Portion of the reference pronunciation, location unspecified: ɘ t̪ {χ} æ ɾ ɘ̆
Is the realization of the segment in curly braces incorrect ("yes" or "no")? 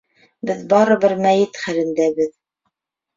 no